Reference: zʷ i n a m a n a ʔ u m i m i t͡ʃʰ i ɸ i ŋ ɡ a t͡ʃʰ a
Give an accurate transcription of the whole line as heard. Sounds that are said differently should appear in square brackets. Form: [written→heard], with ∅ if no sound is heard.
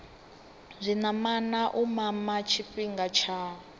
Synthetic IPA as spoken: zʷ i n a m a n a ʔ u m [i→a] m [i→a] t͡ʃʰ i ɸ i ŋ ɡ a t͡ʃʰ a